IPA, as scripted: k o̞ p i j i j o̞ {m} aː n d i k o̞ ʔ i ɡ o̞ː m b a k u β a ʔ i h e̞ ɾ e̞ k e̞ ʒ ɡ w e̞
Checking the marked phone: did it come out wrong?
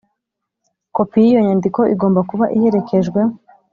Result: yes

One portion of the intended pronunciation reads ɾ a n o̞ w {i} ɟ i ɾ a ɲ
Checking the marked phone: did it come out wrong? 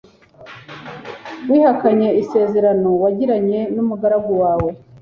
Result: yes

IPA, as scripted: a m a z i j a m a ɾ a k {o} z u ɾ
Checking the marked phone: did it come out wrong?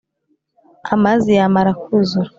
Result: yes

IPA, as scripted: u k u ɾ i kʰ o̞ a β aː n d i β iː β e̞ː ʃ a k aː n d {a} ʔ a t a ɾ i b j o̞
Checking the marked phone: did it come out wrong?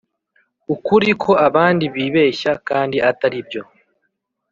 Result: yes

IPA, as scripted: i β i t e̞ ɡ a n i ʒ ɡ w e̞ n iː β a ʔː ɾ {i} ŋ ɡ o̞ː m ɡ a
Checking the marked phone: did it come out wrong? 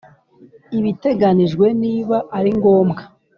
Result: no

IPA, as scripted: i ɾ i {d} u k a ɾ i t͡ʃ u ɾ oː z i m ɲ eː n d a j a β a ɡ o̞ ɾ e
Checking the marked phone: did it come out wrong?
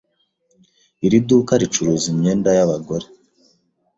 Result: no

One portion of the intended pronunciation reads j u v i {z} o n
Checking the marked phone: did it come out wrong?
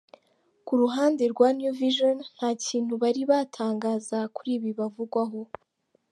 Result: yes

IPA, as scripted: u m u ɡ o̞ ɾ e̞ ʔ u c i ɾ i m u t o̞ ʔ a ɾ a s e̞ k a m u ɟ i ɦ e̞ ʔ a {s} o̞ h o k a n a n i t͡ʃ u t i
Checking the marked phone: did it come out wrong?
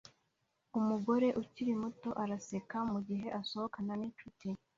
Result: no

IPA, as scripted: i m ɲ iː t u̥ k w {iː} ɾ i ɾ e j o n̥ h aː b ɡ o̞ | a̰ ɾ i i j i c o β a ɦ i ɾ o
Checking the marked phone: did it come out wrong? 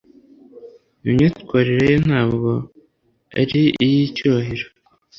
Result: yes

